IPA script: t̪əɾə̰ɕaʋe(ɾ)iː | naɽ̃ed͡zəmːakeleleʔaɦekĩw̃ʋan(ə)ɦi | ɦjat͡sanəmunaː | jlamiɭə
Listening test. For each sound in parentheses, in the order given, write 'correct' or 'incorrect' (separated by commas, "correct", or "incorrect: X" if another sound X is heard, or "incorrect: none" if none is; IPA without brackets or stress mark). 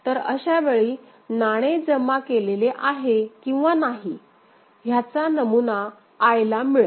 incorrect: ɭ, incorrect: a